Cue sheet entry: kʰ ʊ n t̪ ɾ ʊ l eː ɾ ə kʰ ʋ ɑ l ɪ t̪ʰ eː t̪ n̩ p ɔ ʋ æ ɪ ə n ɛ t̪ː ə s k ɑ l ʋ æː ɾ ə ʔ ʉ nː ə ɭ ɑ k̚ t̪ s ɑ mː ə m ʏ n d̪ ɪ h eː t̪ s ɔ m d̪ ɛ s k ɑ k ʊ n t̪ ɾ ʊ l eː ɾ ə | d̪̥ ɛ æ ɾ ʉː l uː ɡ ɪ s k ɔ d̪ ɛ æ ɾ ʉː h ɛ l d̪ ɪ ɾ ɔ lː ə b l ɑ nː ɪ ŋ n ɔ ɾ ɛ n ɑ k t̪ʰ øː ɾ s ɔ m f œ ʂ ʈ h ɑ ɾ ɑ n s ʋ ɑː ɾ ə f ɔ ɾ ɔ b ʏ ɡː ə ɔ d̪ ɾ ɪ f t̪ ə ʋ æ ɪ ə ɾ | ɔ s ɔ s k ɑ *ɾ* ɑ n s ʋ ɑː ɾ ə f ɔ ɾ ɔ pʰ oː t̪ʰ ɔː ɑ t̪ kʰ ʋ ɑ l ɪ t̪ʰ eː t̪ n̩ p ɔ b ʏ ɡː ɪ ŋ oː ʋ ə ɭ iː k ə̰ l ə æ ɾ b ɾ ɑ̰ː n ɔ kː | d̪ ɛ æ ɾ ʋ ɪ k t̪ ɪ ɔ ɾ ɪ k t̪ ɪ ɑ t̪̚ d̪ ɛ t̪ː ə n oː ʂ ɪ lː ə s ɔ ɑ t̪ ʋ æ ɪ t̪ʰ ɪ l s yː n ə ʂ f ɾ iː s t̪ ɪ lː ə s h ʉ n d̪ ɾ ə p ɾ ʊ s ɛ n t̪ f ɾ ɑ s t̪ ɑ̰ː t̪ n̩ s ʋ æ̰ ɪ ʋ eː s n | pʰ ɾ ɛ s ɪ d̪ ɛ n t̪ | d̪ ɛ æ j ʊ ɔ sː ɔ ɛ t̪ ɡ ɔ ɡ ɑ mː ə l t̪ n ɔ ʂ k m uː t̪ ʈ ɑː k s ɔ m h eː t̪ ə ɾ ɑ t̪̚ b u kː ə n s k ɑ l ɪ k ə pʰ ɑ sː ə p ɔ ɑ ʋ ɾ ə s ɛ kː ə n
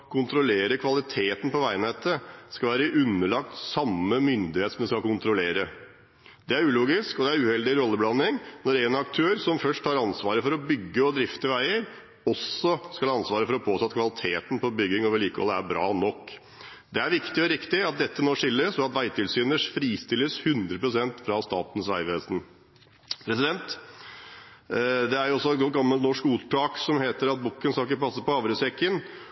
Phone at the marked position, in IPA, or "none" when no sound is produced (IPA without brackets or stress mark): l